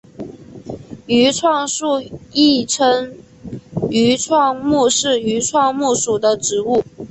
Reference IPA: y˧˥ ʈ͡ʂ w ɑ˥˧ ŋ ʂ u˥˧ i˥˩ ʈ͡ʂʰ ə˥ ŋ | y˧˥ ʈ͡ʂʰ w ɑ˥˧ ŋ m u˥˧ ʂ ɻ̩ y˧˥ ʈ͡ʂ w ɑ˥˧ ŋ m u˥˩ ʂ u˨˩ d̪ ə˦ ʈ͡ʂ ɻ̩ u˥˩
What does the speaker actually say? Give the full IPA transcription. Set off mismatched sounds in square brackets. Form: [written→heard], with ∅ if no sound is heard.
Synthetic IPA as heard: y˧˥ [ʈ͡ʂ→ʈ͡ʂʰ] w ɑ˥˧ ŋ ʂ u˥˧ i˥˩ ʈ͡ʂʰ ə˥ ŋ | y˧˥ ʈ͡ʂʰ w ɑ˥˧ ŋ m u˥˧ ʂ ɻ̩ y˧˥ [ʈ͡ʂ→ʈ͡ʂʰ] w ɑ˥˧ ŋ m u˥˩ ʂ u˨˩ d̪ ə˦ ʈ͡ʂ ɻ̩ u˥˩